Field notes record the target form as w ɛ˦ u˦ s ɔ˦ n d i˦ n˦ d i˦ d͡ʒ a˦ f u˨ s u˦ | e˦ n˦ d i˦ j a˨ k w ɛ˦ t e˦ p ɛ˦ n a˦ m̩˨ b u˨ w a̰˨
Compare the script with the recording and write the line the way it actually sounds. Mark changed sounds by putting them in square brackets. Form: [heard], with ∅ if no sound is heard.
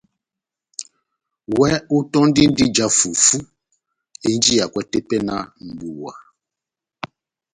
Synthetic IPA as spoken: w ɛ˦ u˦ [t] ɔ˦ n d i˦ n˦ d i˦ d͡ʒ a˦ f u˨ [f] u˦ | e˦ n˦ [d͡ʒ] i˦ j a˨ k w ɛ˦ t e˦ p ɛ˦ n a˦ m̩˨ b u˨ w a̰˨